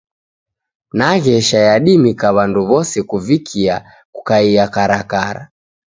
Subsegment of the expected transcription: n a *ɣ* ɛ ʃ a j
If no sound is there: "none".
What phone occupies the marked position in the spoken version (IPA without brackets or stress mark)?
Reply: ɣ